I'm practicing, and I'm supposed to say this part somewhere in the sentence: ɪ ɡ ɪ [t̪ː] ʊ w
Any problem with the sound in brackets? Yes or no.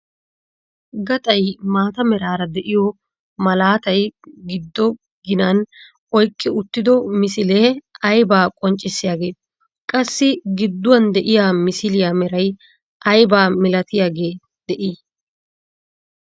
yes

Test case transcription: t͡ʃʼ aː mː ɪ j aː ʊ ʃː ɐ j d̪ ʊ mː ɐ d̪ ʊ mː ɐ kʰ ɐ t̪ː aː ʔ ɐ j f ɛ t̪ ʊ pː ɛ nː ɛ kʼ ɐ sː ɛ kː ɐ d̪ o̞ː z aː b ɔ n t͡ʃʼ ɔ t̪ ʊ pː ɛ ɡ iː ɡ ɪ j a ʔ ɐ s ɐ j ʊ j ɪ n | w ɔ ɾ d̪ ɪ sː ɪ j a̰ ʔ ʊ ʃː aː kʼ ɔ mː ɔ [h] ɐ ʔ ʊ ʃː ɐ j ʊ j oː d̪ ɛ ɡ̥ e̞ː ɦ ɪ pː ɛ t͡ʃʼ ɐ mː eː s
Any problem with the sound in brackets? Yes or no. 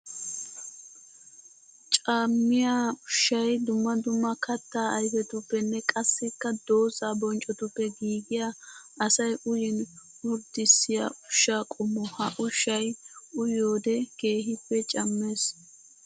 no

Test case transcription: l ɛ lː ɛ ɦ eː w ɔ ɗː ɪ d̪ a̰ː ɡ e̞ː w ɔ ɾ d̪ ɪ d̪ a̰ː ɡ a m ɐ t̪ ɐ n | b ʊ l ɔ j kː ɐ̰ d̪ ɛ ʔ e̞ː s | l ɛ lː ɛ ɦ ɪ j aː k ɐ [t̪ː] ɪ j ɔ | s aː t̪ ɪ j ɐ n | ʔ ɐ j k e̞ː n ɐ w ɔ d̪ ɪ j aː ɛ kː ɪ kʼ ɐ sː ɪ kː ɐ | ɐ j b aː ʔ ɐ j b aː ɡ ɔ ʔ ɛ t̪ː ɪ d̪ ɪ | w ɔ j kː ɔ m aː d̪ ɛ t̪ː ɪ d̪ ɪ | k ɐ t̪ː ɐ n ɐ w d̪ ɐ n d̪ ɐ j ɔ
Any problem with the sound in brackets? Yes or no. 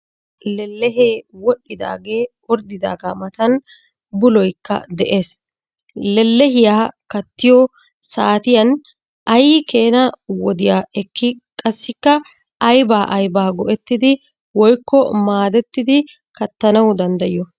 no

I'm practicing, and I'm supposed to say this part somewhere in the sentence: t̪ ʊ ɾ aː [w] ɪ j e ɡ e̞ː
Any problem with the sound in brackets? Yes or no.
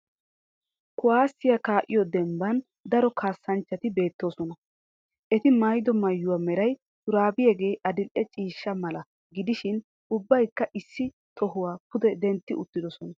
yes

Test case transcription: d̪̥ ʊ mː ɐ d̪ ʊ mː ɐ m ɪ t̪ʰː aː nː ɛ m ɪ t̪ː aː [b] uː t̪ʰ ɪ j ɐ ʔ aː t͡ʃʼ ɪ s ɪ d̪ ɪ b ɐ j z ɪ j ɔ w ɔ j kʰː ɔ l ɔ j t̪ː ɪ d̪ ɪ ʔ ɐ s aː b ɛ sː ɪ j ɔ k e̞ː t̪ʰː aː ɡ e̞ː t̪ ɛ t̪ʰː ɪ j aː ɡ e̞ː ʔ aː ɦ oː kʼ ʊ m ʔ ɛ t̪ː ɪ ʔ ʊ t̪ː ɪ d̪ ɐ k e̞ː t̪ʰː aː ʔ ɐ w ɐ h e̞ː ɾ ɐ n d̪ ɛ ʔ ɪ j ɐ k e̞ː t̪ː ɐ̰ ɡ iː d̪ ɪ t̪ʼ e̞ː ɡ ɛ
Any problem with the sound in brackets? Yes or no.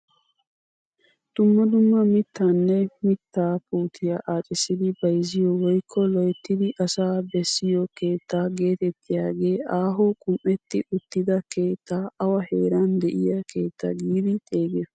yes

